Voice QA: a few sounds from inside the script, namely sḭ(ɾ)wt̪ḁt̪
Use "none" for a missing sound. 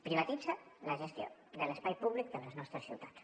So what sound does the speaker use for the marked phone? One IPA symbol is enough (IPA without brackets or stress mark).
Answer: none